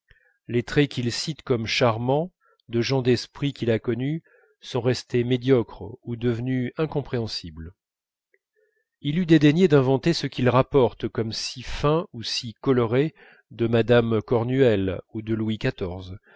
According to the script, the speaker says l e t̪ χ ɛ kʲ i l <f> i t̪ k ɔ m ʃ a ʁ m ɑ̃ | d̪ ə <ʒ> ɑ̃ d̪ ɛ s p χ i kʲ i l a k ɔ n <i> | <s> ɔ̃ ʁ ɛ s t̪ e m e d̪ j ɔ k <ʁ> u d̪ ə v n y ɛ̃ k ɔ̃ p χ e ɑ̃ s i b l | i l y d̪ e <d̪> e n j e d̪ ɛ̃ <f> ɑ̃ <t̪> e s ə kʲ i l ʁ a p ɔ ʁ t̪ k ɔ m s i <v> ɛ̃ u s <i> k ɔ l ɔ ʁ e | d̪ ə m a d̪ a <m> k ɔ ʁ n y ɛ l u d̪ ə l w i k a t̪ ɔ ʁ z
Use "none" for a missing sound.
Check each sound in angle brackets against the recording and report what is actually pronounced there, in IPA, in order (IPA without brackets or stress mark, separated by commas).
s, ʒ, y, s, χ, d̪, v, t̪, f, i, m